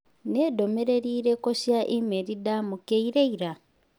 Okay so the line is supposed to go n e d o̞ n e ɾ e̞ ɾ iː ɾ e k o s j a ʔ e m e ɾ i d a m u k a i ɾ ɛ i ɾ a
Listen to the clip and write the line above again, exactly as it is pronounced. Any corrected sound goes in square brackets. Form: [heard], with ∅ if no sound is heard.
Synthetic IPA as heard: n e d o̞ [m] e ɾ e̞ ɾ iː ɾ e k o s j a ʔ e m e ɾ i d a m u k [e] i ɾ [e] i ɾ a